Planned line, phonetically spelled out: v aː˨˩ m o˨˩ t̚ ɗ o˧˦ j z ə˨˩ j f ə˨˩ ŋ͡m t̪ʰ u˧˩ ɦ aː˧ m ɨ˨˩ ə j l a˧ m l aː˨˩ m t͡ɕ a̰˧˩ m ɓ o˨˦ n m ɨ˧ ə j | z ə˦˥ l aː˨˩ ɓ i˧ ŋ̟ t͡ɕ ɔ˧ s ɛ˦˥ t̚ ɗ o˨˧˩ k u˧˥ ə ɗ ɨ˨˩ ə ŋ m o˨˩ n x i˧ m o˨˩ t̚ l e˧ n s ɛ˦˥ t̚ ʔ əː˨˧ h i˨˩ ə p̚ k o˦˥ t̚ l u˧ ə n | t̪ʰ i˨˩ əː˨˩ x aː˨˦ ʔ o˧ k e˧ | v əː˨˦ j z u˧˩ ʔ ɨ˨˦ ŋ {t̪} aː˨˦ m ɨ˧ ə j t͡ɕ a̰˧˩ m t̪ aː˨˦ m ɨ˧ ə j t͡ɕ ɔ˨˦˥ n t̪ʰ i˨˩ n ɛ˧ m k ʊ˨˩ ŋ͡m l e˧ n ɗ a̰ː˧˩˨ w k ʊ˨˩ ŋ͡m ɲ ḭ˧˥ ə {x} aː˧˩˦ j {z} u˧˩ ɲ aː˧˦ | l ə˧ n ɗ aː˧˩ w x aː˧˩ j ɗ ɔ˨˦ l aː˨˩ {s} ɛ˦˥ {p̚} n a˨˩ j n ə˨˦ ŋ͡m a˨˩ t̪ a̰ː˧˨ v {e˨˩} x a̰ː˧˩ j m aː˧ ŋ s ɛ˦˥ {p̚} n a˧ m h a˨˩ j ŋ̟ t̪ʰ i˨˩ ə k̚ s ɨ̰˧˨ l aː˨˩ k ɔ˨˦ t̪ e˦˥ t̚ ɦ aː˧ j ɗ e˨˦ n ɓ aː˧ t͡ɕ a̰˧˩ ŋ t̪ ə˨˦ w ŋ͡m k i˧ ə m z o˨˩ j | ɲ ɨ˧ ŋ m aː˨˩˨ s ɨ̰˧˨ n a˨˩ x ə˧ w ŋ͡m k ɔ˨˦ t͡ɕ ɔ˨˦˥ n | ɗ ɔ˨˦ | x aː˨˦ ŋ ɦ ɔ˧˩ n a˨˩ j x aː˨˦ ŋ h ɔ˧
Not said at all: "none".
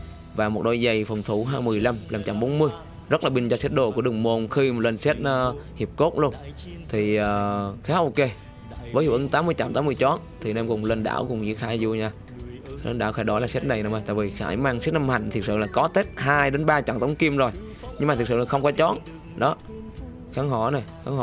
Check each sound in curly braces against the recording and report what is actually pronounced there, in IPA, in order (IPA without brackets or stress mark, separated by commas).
t̪, x, z, s, t̚, i˨˩, t̚